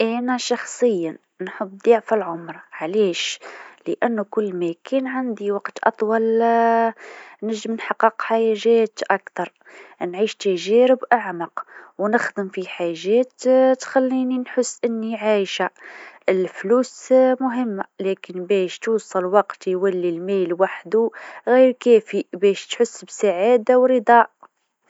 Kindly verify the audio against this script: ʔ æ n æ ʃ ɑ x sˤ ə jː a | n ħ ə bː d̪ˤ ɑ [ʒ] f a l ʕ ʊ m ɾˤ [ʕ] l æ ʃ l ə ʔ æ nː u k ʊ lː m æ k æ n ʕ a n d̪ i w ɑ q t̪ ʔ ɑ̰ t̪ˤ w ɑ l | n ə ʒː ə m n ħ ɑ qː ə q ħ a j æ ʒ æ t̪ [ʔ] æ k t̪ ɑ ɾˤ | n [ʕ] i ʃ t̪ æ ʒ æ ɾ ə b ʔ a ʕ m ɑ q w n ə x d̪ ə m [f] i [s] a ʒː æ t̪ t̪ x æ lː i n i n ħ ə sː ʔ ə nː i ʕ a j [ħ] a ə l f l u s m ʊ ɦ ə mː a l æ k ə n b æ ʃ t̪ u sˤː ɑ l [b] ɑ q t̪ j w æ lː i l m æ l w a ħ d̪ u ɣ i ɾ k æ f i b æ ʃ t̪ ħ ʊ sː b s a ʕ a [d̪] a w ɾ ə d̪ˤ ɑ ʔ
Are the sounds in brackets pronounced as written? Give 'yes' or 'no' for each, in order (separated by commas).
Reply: no, yes, yes, yes, yes, no, no, no, yes